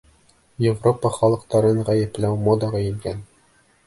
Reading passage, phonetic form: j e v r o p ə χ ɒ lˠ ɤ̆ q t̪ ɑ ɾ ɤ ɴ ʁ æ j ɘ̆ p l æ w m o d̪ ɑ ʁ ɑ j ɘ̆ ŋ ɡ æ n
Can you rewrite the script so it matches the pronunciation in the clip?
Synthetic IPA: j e v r o p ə χ ɒ lˠ ɤ̆ q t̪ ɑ ɾ ɤ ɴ ʁ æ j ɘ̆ p l æ w m o d̪ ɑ ʁ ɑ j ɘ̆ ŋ ɡ æ n